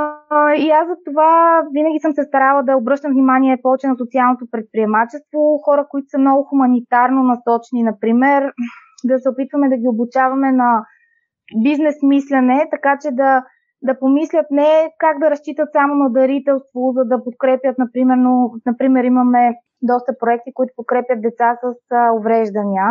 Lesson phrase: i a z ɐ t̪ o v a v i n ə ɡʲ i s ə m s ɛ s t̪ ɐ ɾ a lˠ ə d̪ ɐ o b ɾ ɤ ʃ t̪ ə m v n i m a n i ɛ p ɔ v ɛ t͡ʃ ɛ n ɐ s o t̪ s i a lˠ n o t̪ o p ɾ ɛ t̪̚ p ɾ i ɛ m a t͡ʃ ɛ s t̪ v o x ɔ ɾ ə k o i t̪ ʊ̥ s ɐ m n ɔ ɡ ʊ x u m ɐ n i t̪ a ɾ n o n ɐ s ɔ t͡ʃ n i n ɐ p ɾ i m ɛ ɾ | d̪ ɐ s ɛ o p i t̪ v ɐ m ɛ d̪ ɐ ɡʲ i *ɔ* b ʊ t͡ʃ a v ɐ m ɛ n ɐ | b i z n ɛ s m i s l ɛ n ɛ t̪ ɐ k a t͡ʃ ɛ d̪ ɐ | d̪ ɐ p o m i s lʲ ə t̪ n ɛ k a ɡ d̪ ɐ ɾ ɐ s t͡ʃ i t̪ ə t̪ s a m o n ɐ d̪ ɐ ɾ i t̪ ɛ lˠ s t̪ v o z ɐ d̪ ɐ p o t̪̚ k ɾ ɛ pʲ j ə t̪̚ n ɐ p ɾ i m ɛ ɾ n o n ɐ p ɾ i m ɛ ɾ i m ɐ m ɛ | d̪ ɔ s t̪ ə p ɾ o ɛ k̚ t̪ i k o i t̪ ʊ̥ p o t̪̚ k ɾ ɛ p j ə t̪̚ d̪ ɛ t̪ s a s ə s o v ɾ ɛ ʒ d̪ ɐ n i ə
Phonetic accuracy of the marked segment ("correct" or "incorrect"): incorrect